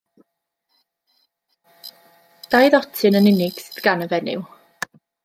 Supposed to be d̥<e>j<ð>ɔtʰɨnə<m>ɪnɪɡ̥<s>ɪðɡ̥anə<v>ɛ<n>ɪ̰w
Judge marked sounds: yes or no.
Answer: no, yes, no, yes, yes, yes

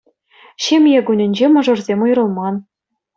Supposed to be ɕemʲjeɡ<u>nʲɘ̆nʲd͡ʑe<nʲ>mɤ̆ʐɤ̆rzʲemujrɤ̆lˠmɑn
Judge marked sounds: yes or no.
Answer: yes, no

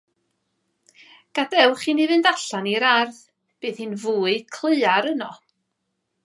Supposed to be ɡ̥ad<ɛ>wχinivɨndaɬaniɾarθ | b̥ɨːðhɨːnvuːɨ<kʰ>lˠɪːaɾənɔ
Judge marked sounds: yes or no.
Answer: yes, yes

